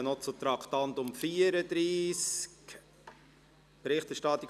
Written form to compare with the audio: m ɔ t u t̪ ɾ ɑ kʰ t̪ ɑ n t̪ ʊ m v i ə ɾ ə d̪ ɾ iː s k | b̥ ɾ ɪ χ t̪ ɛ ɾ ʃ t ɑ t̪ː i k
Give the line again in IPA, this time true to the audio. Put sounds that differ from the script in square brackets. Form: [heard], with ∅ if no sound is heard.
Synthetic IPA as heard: [n] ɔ [t͡s] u t̪ ɾ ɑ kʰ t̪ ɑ n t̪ ʊ m [f] i ə ɾ ə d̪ ɾ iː s k | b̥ ɾ ɪ χ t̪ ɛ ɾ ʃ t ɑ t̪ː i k